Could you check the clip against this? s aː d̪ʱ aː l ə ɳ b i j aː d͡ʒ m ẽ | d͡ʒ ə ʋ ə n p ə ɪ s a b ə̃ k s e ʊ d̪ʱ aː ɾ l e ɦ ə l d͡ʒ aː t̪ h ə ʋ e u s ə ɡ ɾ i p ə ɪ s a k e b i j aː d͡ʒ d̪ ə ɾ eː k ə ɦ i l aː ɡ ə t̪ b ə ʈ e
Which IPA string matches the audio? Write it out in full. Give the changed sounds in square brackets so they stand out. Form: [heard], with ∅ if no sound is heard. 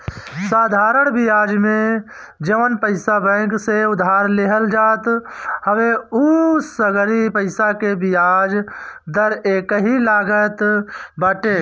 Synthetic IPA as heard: s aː d̪ʱ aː [ɾ] ə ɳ b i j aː d͡ʒ m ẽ | d͡ʒ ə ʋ ə n p ə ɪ s a b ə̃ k s e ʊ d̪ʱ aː ɾ l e ɦ ə l d͡ʒ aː t̪ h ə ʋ e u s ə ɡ ɾ i p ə ɪ s a k e b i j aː d͡ʒ d̪ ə ɾ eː k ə ɦ i l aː ɡ ə t̪ b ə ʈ e